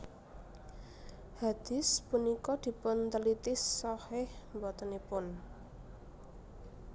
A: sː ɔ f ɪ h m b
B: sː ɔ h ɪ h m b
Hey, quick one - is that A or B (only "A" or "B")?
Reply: B